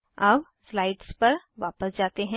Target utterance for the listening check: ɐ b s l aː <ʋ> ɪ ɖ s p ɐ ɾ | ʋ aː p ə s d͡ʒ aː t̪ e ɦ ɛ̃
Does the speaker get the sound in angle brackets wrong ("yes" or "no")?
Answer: yes